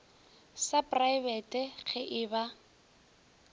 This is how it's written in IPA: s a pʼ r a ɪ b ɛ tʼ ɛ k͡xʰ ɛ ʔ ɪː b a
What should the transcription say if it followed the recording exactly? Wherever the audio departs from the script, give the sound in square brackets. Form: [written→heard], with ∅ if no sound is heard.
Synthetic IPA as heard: s a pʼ r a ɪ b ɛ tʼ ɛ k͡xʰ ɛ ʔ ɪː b a